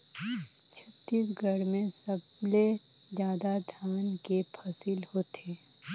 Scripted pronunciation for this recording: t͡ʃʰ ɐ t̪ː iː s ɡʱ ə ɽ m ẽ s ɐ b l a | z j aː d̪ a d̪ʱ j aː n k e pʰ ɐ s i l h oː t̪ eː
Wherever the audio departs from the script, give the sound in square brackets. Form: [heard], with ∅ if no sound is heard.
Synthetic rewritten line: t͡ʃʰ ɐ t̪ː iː s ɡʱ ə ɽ m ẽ s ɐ b l [e] | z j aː d̪ a d̪ʱ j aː n k e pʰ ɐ s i l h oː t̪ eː